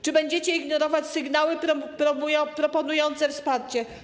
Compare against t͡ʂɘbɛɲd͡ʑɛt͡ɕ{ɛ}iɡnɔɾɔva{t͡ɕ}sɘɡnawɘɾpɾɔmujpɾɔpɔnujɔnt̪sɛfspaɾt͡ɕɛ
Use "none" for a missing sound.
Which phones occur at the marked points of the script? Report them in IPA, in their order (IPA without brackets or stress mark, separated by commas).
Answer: ɛ, t͡ɕ